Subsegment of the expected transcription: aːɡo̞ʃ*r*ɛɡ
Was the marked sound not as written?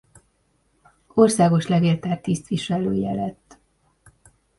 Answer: yes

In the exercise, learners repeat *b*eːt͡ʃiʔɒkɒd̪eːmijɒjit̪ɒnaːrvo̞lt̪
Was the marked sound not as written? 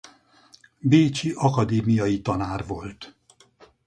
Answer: no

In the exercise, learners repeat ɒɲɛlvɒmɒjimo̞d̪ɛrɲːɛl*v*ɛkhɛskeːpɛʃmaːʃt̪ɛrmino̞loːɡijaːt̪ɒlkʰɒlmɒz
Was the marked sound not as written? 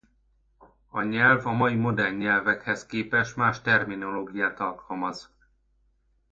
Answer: no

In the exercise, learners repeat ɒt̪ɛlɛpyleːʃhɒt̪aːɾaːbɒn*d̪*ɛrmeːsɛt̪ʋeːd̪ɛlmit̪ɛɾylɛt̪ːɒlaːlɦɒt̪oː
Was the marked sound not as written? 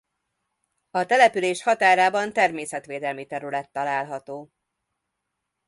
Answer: yes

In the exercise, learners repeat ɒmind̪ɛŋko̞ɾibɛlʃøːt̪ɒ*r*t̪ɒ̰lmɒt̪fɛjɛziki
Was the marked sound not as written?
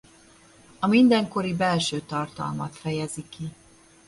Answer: no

